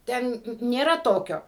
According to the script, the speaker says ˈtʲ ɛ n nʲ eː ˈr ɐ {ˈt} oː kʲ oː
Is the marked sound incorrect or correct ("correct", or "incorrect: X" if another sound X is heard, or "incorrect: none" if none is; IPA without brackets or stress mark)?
correct